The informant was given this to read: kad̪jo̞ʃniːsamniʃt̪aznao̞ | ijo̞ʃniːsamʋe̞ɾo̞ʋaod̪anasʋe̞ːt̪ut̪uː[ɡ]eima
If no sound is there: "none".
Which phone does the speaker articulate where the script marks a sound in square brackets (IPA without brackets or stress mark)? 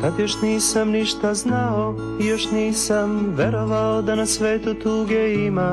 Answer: ɡ